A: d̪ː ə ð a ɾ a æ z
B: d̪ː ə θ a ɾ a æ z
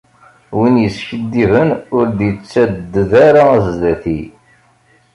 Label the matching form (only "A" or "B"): A